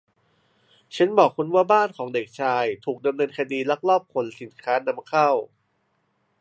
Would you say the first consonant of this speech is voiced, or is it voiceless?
voiceless